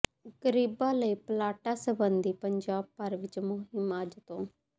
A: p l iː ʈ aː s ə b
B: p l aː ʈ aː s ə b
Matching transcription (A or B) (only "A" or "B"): B